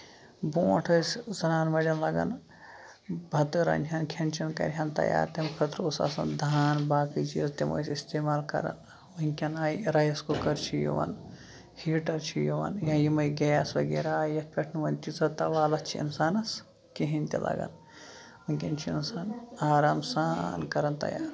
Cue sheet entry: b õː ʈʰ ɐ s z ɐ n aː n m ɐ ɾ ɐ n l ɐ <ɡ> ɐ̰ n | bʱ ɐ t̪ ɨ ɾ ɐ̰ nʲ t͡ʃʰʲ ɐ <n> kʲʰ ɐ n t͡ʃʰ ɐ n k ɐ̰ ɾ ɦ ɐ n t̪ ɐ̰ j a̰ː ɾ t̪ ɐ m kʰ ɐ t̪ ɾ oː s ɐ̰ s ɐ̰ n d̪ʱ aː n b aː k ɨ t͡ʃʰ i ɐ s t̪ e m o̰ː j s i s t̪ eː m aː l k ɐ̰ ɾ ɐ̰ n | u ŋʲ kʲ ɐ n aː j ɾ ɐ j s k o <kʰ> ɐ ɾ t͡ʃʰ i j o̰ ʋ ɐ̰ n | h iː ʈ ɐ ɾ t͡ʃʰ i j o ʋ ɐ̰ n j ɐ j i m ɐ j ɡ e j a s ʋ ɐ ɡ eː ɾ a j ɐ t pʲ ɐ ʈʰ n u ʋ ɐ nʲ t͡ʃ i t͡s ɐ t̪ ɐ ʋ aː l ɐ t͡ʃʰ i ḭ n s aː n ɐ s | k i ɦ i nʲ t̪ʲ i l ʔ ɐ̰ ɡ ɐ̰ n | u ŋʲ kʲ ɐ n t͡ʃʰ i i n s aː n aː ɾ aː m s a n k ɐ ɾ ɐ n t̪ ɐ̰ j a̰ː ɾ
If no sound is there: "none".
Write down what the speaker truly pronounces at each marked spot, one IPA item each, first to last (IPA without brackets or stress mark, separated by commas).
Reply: ɡ, n, k